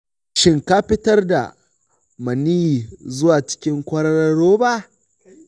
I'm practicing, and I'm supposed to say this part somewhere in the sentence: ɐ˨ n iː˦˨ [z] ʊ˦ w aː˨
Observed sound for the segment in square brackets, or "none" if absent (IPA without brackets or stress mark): z